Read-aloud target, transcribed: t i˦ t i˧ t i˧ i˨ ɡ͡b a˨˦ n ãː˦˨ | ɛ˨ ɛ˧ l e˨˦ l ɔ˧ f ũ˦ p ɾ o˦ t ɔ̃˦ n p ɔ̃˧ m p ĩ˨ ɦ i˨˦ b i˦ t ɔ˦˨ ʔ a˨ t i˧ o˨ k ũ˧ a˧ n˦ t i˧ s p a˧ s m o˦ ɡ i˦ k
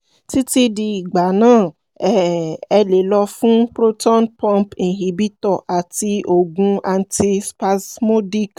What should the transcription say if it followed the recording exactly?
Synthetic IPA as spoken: t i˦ t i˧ d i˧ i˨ ɡ͡b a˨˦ n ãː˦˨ | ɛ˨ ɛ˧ l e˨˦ l ɔ˧ f ũ˦ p ɾ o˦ t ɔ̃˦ n p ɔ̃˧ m p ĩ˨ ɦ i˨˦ b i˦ t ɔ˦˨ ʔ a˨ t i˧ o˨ ɡ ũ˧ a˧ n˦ t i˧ s p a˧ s m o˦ d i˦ k

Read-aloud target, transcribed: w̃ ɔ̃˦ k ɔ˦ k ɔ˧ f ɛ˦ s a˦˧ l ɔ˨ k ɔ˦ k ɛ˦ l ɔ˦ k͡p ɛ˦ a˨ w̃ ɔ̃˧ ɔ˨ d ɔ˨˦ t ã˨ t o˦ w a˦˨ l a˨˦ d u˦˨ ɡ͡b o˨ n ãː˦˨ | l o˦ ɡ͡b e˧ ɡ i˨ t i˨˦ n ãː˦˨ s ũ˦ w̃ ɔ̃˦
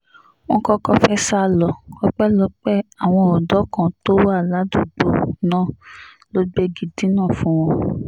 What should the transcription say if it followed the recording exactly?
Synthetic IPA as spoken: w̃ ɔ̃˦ k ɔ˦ k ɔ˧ f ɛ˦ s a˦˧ l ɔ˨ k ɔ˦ k͡p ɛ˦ l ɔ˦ k͡p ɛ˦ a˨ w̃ ɔ̃˧ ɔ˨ d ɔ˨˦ k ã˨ t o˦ w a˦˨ l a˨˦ d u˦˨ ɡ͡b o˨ n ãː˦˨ | l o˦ ɡ͡b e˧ ɡ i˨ d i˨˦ n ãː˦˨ f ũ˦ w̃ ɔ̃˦

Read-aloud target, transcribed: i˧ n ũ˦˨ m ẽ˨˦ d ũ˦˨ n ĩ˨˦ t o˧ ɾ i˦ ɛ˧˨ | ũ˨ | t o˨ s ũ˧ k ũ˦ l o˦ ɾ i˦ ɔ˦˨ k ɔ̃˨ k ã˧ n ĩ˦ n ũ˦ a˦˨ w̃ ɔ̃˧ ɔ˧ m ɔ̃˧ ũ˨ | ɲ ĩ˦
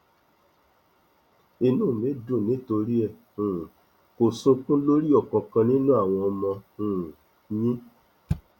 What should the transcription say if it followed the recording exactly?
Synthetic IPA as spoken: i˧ n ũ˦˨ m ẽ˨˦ d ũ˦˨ n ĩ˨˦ t o˧ ɾ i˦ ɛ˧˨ | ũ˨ | k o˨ s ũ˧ k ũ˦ l o˦ ɾ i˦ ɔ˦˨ k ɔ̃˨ k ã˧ n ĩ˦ n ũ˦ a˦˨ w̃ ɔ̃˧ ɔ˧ m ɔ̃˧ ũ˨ | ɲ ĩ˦

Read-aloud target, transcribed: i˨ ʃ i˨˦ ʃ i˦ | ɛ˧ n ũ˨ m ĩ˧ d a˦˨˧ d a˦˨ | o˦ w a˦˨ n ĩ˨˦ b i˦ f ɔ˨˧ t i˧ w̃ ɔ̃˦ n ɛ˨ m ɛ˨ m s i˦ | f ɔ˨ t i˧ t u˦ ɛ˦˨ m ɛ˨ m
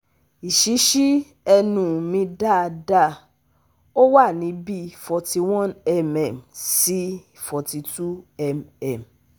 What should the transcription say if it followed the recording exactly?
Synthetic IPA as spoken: i˨ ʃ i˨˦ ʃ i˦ | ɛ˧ n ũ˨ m ĩ˧ d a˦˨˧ d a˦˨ | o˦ w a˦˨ n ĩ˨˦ b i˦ f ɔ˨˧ t i˧ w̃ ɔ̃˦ n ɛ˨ m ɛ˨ m s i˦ | f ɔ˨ t i˧ t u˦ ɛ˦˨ m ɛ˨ m

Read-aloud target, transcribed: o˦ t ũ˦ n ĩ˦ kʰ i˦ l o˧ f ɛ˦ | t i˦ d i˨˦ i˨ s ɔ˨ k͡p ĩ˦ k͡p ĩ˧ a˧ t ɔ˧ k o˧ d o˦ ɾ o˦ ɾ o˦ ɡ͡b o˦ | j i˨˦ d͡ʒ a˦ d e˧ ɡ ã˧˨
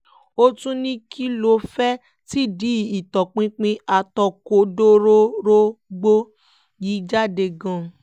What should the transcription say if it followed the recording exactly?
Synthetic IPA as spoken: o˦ t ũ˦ n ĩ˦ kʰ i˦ l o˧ f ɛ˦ | t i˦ d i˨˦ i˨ t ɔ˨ k͡p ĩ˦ k͡p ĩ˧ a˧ t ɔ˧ k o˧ d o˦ ɾ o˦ ɾ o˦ ɡ͡b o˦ | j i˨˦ d͡ʒ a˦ d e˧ ɡ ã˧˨

